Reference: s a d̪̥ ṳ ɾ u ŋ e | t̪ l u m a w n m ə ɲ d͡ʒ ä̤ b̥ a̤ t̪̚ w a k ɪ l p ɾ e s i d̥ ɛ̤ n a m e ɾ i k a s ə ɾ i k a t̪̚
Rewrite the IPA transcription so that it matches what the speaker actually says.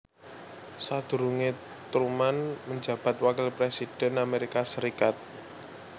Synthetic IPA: s a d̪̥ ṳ ɾ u ŋ e | t̪ ɾ u m a n m ə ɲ d͡ʒ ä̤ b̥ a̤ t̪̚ w a k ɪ l p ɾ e s i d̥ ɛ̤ n a m e ɾ i k a s ə ɾ i k a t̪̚